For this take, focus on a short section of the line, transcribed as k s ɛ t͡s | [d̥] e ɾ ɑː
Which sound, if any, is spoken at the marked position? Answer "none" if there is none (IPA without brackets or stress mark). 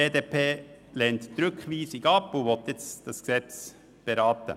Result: b̥